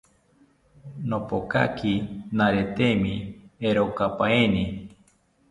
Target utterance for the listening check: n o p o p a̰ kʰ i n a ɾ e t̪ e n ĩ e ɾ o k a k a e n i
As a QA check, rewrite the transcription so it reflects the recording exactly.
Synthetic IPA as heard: n o p o k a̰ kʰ i n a ɾ e t̪ e m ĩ e ɾ o k a p a e n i

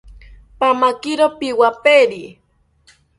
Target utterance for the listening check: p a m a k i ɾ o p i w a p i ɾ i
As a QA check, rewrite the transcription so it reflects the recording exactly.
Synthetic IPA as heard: p a m a k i ɾ o p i w a p e ɾ i

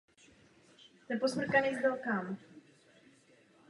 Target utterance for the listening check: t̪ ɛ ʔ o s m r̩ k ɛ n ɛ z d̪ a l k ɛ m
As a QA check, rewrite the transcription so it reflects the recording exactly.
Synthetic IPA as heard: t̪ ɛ p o s m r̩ k a n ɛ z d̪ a l k a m

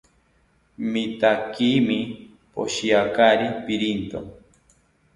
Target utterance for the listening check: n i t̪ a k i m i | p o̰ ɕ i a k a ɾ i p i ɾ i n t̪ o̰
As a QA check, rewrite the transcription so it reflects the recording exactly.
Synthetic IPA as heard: m i t̪ a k i m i | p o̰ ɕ i a k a ɾ i p i ɾ i n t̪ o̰

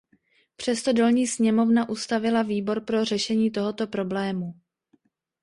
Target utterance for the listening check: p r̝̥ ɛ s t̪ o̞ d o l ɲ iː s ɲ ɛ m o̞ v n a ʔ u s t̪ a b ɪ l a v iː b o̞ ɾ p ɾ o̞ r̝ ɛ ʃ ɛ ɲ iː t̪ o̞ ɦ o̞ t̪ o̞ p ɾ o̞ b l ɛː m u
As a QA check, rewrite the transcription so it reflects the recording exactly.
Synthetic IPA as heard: p r̝̥ ɛ s t̪ o̞ d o l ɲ iː s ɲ ɛ m o̞ v n a ʔ u s t̪ a v ɪ l a v iː b o̞ ɾ p ɾ o̞ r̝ ɛ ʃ ɛ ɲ iː t̪ o̞ ɦ o̞ t̪ o̞ p ɾ o̞ b l ɛː m u

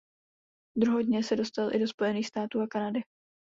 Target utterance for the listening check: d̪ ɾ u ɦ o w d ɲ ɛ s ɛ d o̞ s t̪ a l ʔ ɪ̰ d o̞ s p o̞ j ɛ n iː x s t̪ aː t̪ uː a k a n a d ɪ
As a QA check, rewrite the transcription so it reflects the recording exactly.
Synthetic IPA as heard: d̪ ɾ u ɦ o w d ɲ ɛ s ɛ d o̞ s t̪ a l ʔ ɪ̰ d o̞ s p o̞ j ɛ n iː x s t̪ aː t̪ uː a k a n a d ɪ

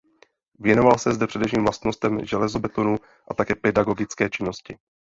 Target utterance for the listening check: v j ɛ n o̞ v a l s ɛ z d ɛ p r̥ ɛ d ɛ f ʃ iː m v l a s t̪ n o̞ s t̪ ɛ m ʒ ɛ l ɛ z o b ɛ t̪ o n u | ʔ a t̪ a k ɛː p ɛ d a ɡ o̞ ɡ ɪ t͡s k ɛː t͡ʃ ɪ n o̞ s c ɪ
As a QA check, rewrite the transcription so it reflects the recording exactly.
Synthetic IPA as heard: v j ɛ n o̞ v a l s ɛ z d ɛ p r̥ ɛ d ɛ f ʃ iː m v l a s t̪ n o̞ s t̪ ɛ m ʒ ɛ l ɛ z o b ɛ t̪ o n u | ʔ a t̪ a k ɛː p ɛ d a ɡ o̞ ɡ ɪ t͡s k ɛː t͡ʃ ɪ n o̞ s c ɪ

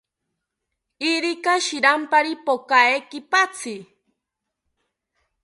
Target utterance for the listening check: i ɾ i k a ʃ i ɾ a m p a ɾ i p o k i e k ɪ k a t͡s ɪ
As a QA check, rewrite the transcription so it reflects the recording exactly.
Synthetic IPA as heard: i ɾ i k a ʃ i ɾ a m p a ɾ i p o k a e k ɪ p a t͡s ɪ

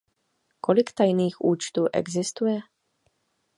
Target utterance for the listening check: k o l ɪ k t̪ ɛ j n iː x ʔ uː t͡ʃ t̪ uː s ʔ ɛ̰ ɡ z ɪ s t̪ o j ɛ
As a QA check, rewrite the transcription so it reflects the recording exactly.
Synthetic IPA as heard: k o l ɪ k t̪ a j n iː x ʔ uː t͡ʃ t̪ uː ʔ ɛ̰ ɡ z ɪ s t̪ u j ɛ

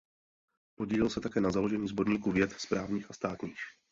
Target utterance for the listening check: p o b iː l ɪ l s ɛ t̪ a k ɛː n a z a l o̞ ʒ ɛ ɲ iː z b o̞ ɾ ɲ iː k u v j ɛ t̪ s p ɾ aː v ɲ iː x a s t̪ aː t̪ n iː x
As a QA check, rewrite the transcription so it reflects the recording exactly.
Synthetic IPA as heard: p o ɟ iː l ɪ l s ɛ t̪ a k ɛː n a z a l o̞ ʒ ɛ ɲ iː z b o̞ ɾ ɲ iː k u v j ɛ t̪ s p ɾ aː v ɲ iː x a s t̪ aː t̪ ɲ iː x

